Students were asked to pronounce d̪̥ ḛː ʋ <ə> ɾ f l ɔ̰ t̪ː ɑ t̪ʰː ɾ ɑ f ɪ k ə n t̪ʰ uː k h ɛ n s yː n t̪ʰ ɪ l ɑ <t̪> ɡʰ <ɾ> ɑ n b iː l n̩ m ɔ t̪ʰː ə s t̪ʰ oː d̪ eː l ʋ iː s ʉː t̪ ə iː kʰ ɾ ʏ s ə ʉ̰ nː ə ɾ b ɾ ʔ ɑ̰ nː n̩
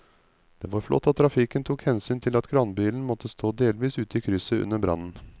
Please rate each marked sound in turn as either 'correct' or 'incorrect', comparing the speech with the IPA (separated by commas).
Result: incorrect, correct, correct